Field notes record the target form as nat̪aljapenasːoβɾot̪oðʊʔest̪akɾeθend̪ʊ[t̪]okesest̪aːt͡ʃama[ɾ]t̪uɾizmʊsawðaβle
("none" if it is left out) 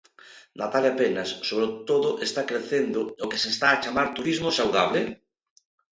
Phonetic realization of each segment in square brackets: none, ɾ

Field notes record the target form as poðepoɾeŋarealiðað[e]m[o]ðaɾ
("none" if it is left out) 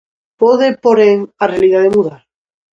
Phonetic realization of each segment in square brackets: e, u

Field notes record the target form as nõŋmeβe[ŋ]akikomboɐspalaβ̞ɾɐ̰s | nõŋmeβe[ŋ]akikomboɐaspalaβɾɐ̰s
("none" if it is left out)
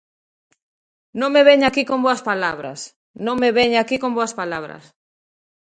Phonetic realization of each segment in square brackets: ɲ, ɲ

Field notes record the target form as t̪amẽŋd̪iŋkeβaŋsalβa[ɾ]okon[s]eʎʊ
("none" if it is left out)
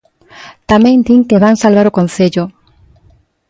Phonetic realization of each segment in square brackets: ɾ, θ

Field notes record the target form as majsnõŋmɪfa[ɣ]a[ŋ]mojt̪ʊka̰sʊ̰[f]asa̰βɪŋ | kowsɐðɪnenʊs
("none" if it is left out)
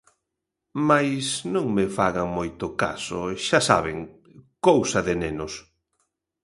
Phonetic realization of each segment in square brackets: ɣ, ŋ, ʃ

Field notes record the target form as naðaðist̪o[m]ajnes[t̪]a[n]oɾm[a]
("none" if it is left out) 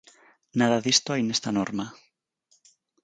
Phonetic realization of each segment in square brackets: none, t̪, n, a

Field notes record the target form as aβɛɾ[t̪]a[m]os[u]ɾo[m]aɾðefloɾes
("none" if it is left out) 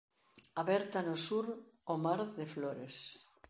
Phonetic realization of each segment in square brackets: t̪, n, u, m

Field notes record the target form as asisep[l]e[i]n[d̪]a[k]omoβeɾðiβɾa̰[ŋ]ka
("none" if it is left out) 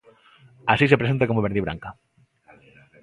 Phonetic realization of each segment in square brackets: ɾ, e, t̪, k, ŋ

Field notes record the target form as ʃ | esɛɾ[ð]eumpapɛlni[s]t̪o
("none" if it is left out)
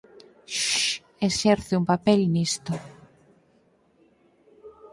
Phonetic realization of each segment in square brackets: θ, s

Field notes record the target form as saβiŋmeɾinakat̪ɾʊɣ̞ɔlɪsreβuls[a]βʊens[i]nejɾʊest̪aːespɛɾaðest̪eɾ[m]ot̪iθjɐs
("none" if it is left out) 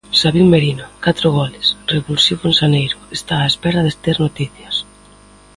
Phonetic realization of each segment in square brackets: i, a, n

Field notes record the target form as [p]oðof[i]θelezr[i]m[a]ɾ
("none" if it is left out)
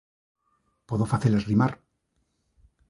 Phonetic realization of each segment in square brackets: p, a, i, a

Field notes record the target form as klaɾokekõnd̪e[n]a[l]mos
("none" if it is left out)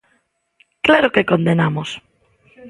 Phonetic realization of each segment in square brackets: n, none

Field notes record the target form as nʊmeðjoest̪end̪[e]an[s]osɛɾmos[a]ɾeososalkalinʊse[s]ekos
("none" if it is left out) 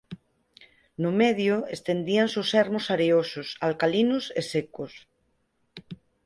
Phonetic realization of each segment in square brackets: i, s, a, s

